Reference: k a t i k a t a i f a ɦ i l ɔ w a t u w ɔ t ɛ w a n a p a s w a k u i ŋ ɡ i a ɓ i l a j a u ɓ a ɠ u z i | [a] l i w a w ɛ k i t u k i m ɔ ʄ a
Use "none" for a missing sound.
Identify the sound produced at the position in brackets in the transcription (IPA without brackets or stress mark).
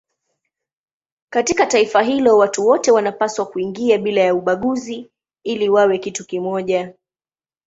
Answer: i